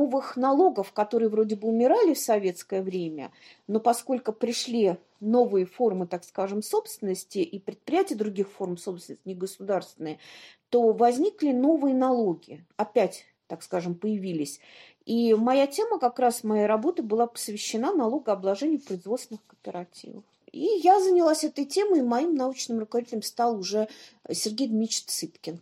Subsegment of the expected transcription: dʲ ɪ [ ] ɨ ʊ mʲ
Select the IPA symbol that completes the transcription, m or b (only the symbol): b